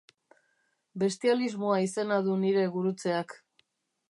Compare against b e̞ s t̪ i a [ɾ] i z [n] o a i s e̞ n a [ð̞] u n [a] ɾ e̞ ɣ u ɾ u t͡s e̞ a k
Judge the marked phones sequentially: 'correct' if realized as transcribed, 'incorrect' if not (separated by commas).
incorrect, incorrect, correct, incorrect